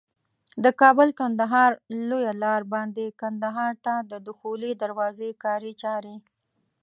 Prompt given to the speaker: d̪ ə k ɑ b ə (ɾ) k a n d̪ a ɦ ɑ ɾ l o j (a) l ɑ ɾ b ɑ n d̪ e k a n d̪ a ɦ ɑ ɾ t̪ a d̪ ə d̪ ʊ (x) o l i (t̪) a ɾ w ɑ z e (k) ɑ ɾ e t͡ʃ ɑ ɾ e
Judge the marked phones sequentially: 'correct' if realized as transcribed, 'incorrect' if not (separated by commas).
incorrect, correct, correct, incorrect, correct